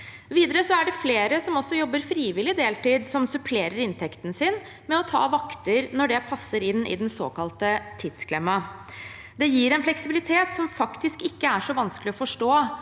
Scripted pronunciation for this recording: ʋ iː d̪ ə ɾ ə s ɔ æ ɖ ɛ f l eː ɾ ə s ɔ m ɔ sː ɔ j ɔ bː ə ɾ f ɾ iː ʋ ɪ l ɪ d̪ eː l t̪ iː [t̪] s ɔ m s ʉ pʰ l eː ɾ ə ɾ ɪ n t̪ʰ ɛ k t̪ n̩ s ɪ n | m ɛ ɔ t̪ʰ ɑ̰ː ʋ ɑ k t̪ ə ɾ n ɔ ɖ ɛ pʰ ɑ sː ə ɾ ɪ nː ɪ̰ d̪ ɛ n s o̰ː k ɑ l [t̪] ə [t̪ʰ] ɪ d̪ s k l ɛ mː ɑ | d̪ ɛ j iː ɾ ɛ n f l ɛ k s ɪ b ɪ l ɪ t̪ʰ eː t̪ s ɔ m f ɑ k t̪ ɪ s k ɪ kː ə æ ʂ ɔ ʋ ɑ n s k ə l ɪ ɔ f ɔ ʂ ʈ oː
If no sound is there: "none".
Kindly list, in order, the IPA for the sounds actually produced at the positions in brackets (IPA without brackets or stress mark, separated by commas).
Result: d̪, t̪, t̪ʰ